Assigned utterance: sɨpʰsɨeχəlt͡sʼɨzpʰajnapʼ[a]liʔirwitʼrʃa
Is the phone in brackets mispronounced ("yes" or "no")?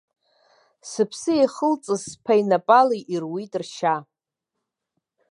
no